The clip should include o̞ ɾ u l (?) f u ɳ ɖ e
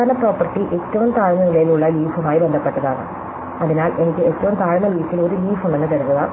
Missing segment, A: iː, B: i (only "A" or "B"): A